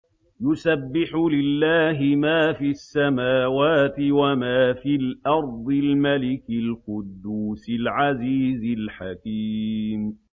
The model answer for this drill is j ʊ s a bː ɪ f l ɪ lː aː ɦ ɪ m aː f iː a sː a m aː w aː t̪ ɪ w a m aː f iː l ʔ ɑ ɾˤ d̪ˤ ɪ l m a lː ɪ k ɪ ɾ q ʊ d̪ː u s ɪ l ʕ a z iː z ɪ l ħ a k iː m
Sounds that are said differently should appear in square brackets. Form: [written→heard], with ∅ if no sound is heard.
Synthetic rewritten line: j ʊ s a bː ɪ [f→ħ] l ɪ lː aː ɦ ɪ m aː f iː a sː a m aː w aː t̪ ɪ w a m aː f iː l ʔ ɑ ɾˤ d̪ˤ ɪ l m a [lː→l] ɪ k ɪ [ɾ→l] q ʊ d̪ː [u→uː] s ɪ l ʕ a z iː z ɪ l ħ a k iː m